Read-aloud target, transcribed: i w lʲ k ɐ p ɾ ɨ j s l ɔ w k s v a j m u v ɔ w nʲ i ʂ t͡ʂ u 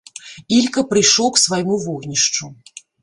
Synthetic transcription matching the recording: i lʲ k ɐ p ɾ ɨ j ʂ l ɔ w k s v a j m u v ɔ ɣ nʲ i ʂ t͡ʂ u

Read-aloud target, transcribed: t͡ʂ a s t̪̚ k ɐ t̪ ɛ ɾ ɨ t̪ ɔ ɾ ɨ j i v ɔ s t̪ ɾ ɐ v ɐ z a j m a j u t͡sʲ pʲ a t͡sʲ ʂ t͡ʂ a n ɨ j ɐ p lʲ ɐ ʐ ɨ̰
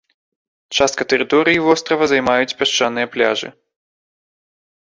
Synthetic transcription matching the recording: t͡ʂ a s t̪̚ k ɐ t̪ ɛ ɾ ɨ t̪ ɔ ɾ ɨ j i v ɔ s t̪ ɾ ɐ v ɐ z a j m a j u t͡sʲ pʲ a ʂ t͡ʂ a n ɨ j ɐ p lʲ a ʐ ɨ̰

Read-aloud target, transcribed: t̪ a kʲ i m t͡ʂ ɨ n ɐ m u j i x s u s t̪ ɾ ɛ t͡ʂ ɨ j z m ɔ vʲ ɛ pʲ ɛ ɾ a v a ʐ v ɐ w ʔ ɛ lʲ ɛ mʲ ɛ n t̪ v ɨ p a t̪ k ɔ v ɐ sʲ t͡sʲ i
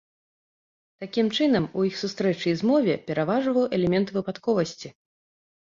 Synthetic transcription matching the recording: t̪ a kʲ i m t͡ʂ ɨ n ɐ m u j i x s u s t̪ ɾ ɛ t͡ʂ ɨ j z m ɔ vʲ ɛ pʲ ɛ ɾ a v a ʐ v ɐ w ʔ ɛ lʲ ɛ mʲ ɛ n t̪ v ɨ p a t̪ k ɔ v ɐ sʲ t͡sʲ i

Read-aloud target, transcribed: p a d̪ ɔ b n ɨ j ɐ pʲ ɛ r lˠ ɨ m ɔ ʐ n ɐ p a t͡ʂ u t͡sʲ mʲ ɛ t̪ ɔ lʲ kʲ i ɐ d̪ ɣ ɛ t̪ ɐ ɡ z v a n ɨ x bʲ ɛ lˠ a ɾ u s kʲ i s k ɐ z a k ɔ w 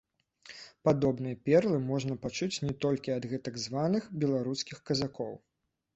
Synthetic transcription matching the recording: p a d̪ ɔ b n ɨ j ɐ pʲ ɛ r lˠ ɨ m ɔ ʐ n ɐ p a t͡ʂ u t͡sʲ nʲ ɛ t̪ ɔ lʲ kʲ i ɐ d̪ ɣ ɛ t̪ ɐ ɡ z v a n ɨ x bʲ ɛ lˠ a ɾ u s kʲ i x k ɐ z a k ɔ w

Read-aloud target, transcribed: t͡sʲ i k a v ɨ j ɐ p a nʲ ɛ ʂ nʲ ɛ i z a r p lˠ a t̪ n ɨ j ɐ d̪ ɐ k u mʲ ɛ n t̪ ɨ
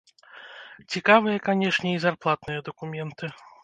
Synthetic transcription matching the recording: t͡sʲ i k a v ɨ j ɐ k a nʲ ɛ ʂ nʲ ɛ i z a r p lˠ a t̪ n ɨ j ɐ d̪ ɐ k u mʲ ɛ n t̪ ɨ

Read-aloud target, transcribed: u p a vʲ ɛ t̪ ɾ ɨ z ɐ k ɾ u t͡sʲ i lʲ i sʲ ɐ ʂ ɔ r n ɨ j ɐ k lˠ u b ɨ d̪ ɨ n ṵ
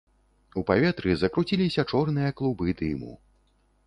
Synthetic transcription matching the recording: u p a vʲ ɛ t̪ ɾ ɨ z ɐ k ɾ u t͡sʲ i lʲ i sʲ ɐ t͡ʂ ɔ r n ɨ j ɐ k lˠ u b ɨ d̪ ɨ m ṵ

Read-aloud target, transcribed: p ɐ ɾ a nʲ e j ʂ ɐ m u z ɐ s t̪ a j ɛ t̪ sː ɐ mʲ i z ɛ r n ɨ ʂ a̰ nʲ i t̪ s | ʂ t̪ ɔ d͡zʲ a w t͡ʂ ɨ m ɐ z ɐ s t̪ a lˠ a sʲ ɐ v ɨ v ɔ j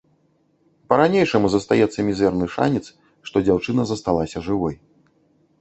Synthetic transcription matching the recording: p ɐ ɾ a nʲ e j ʂ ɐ m u z ɐ s t̪ a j ɛ t̪ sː ɐ mʲ i z ɛ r n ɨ ʂ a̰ nʲ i t̪ s | ʂ t̪ ɔ d͡zʲ a w t͡ʂ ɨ n ɐ z ɐ s t̪ a lˠ a sʲ ɐ ʐ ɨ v ɔ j

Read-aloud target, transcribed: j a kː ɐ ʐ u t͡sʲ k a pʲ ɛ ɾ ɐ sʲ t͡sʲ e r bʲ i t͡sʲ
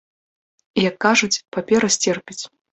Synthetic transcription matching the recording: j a kː a ʐ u t͡sʲ p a pʲ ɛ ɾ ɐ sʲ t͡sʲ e r pʲ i t͡sʲ

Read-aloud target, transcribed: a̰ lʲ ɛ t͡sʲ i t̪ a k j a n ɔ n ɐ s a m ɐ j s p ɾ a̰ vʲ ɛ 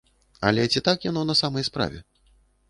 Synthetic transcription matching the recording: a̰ lʲ ɛ t͡sʲ i t̪ a k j a n ɔ n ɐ s a m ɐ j s p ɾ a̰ vʲ ɛ

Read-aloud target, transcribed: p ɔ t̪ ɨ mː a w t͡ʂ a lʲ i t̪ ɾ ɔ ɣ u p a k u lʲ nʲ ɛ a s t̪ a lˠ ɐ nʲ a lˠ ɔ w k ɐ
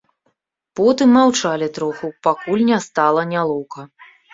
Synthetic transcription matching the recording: p ɔ t̪ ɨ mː a w t͡ʂ a lʲ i t̪ ɾ ɔ x u p a k u lʲ nʲ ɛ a s t̪ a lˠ ɐ nʲ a lˠ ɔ w k ɐ

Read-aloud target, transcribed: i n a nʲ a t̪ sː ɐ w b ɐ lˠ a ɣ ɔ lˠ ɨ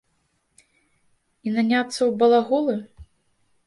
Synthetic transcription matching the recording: i n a nʲ a t̪ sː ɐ w b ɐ lˠ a ɣ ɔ lˠ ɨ

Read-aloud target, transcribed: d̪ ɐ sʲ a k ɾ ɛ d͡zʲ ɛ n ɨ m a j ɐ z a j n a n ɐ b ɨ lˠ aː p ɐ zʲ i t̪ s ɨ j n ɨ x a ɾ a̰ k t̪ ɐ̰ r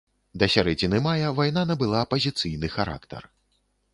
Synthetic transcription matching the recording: d̪ ɐ sʲ a ɾ ɛ d͡zʲ i n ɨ m a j ɐ v a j n a n ɐ b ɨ lˠ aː p ɐ zʲ i t̪ s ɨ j n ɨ x a ɾ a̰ k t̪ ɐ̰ r

